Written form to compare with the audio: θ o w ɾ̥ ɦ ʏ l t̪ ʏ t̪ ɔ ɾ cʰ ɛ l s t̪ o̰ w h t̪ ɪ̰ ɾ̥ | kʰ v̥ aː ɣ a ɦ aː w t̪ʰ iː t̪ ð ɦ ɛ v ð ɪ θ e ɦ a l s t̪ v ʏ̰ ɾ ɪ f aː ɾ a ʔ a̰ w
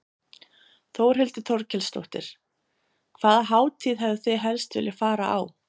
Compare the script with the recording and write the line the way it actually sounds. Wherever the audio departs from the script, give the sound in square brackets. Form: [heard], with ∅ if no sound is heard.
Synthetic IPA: θ o w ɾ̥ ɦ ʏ l t̪ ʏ [t̪ʰ] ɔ ɾ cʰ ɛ l s t̪ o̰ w h t̪ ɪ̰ ɾ̥ | kʰ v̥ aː [ð] a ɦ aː w t̪ʰ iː [∅] ð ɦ ɛ v ð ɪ θ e ɦ [ɛ] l s t̪ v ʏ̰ [l] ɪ f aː ɾ a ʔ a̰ w